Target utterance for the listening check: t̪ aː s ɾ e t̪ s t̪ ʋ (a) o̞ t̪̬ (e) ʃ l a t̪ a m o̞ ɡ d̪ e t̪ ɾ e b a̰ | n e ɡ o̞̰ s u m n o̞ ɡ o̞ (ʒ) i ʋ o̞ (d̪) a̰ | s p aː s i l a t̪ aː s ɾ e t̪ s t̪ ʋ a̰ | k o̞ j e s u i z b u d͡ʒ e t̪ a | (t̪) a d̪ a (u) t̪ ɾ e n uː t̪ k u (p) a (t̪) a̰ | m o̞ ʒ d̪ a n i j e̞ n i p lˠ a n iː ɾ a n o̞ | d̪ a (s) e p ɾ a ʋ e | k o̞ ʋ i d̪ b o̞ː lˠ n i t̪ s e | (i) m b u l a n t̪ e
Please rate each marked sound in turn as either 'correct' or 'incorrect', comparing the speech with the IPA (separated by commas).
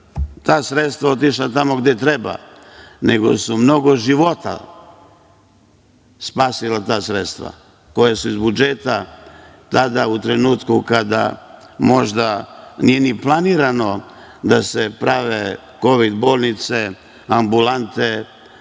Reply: correct, incorrect, correct, incorrect, correct, correct, incorrect, incorrect, correct, incorrect